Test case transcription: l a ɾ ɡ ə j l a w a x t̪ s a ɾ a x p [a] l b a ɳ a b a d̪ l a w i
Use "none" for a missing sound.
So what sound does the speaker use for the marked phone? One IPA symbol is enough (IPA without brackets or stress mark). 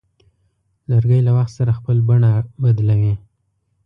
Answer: ə